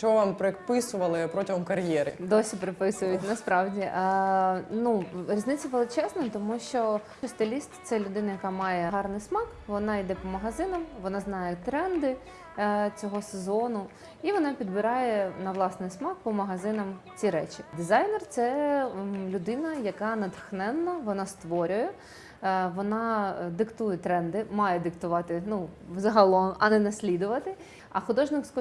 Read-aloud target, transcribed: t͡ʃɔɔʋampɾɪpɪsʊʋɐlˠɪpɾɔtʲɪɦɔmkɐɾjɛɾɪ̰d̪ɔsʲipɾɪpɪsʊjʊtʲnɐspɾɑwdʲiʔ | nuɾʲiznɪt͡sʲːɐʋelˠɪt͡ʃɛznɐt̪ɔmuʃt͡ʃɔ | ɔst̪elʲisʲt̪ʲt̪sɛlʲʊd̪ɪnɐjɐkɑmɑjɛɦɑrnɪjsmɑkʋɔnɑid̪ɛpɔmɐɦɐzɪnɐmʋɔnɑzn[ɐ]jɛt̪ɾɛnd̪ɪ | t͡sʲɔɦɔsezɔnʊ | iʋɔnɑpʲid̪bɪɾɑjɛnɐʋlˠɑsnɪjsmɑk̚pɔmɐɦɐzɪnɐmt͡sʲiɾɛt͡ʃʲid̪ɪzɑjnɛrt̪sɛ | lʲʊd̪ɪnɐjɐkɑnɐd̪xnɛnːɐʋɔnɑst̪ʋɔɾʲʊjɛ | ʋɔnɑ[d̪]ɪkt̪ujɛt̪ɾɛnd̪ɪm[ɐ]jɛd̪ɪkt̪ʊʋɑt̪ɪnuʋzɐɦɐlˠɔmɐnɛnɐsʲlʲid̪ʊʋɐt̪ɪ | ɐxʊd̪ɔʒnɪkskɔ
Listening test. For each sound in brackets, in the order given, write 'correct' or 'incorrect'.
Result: incorrect: ɑ, correct, incorrect: ɑ

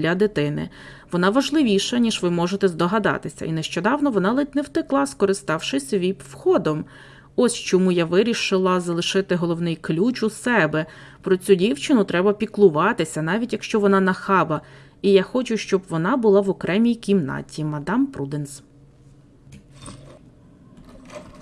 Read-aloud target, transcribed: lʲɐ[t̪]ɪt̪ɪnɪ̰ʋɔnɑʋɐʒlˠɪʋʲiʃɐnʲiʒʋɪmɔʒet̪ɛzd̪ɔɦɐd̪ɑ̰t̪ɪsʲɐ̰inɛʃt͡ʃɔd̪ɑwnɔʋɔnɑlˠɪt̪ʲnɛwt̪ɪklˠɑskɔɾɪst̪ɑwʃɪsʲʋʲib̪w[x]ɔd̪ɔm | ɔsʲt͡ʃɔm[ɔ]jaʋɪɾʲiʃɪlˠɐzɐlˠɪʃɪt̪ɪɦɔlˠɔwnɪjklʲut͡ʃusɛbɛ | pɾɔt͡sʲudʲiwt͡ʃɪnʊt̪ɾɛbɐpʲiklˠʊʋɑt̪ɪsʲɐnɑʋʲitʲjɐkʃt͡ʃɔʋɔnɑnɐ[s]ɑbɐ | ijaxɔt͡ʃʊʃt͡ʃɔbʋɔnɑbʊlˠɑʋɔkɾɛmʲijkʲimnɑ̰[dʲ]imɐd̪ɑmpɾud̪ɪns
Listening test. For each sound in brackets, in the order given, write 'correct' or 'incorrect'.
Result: incorrect: d̪, correct, incorrect: u, incorrect: x, incorrect: tʲ

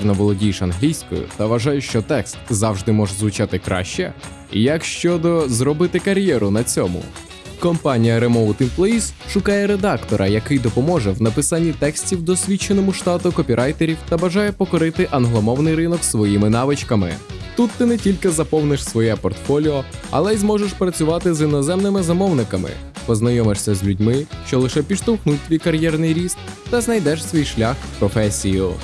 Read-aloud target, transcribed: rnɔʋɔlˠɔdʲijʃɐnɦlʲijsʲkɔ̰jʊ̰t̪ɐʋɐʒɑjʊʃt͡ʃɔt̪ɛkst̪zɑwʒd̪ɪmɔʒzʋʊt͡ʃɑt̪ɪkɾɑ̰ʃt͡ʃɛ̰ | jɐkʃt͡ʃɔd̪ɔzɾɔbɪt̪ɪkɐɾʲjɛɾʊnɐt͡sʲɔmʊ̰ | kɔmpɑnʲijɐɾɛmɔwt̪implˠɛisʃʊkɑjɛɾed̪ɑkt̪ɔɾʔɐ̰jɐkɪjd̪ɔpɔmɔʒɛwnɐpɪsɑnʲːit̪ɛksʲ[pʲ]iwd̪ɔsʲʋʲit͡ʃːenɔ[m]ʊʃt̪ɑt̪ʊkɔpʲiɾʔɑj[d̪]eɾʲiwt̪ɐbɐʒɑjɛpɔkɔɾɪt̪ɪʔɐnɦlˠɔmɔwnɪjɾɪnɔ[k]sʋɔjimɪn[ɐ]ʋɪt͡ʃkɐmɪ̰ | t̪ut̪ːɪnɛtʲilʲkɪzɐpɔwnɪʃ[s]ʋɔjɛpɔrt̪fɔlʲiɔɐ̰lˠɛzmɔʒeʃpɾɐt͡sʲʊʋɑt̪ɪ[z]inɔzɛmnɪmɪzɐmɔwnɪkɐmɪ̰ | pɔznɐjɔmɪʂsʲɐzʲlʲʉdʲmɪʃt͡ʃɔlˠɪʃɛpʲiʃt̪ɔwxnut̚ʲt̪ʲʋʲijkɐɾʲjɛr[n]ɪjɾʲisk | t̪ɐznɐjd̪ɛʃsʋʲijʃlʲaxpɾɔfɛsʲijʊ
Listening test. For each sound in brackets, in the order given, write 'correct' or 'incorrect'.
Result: incorrect: tʲ, correct, incorrect: t̪, correct, incorrect: ɑ, correct, correct, correct

